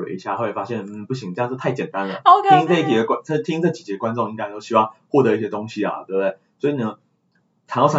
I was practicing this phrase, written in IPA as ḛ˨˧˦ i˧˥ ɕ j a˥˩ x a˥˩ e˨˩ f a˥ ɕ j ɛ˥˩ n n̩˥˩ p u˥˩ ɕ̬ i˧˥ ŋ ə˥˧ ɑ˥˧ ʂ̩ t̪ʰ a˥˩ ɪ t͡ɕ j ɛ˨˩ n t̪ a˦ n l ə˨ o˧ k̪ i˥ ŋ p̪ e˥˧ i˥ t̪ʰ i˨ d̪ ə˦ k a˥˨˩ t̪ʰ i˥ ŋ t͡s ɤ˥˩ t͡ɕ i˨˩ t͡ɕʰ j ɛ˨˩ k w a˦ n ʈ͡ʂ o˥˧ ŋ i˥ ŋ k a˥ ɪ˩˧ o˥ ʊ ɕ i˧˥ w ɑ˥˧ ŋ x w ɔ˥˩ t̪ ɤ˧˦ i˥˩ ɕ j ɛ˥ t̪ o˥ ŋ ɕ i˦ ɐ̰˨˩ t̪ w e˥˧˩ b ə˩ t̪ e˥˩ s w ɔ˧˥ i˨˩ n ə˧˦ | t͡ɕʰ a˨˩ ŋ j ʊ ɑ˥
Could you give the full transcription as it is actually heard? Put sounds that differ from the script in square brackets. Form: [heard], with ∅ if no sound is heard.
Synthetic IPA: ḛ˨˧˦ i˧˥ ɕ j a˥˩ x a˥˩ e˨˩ f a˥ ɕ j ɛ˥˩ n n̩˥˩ p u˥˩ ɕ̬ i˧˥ ŋ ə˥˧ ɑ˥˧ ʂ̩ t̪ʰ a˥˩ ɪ t͡ɕ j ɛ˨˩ n t̪ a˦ n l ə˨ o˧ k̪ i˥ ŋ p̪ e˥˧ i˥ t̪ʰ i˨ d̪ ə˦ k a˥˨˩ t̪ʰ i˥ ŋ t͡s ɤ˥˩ t͡ɕ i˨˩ [t͡ɕ] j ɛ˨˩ k w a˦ n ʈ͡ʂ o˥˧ ŋ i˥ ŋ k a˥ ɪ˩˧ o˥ ʊ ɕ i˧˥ w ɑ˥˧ ŋ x w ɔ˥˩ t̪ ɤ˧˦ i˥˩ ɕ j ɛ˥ t̪ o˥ ŋ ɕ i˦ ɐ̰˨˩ t̪ w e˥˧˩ b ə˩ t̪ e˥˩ s w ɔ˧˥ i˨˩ n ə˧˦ | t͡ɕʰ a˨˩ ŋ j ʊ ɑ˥